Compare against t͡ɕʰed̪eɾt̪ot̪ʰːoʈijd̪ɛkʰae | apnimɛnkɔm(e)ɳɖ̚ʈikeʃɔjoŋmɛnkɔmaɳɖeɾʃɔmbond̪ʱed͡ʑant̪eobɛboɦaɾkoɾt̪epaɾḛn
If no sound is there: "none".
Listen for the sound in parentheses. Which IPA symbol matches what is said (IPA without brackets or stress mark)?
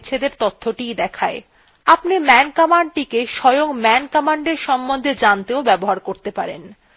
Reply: a